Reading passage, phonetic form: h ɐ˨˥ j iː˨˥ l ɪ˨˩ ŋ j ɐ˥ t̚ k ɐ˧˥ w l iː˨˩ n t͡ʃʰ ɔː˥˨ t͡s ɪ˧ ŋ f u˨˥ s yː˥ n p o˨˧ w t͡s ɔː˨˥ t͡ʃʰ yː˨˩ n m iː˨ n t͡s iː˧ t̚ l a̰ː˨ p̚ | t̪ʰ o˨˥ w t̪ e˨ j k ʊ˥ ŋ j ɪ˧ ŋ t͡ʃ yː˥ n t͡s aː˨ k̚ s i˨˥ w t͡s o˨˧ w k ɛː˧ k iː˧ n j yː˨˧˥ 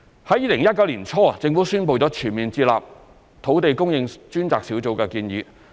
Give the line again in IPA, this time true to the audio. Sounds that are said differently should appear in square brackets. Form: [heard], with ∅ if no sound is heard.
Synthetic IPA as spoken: h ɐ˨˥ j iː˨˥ l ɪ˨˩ ŋ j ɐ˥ t̚ k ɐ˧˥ w l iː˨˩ n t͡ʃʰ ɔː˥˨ t͡s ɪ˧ ŋ f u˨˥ s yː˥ n p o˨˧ w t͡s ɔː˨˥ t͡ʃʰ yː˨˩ n m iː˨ n t͡s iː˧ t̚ l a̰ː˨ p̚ | t̪ʰ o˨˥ w t̪ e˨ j k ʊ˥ ŋ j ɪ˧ ŋ t͡ʃ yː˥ n t͡s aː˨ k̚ s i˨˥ w t͡s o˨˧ w k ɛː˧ k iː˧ n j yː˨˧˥